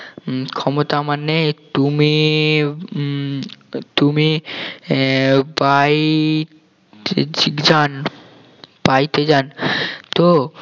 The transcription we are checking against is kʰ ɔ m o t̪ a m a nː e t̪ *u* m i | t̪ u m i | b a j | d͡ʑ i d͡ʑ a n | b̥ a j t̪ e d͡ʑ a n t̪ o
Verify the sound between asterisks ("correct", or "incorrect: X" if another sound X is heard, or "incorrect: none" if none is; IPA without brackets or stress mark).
correct